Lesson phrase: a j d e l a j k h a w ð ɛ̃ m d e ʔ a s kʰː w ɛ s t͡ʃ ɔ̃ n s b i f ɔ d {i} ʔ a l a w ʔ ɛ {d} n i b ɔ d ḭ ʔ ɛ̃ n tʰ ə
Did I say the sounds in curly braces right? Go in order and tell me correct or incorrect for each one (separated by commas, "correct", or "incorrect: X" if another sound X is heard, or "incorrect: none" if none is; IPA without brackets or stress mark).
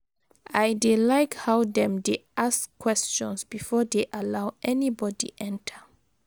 incorrect: e, incorrect: none